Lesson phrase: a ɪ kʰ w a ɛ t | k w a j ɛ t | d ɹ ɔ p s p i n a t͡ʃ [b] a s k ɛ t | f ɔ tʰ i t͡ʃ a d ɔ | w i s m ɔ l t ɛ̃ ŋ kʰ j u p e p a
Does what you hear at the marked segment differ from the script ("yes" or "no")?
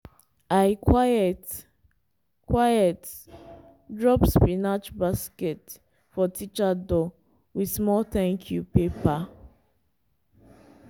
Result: no